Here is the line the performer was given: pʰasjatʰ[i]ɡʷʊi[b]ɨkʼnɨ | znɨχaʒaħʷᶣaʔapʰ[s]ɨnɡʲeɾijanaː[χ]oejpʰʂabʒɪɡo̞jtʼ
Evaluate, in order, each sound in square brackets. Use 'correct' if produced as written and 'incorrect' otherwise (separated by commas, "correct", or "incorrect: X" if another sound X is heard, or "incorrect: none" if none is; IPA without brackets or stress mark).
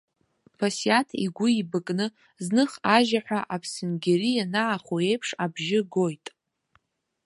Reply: correct, correct, correct, correct